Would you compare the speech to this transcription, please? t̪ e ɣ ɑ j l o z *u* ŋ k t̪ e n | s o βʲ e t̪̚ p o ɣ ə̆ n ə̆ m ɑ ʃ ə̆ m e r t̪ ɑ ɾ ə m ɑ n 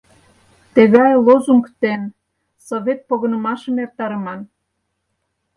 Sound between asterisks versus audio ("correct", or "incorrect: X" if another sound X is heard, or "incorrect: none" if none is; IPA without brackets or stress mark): correct